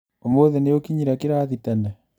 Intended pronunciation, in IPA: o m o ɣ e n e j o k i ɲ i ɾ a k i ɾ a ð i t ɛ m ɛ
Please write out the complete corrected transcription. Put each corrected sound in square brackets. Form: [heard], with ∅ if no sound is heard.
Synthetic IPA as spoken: o m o [ð] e n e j o k i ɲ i ɾ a k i ɾ a ð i t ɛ [n] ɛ